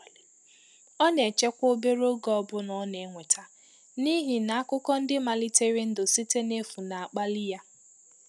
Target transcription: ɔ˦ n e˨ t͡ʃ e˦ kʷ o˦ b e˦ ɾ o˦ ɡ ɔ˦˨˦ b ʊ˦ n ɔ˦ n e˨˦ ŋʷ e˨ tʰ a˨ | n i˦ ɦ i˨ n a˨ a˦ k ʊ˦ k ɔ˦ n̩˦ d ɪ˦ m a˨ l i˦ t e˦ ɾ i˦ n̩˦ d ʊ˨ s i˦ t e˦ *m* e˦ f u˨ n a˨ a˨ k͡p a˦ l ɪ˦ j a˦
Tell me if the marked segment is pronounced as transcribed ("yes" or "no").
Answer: no